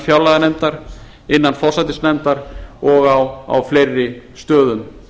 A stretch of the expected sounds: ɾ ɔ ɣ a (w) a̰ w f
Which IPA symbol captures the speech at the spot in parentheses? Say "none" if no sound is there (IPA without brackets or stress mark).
w